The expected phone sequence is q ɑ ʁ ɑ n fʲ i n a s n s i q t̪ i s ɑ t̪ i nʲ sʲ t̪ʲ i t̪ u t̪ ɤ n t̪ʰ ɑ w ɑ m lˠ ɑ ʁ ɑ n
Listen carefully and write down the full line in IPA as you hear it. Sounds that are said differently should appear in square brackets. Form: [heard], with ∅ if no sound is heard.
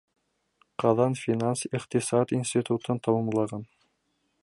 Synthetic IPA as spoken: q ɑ [ð] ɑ n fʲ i n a [∅] n s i q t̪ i s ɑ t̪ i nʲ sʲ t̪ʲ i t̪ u t̪ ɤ n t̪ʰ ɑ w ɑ m lˠ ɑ ʁ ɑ n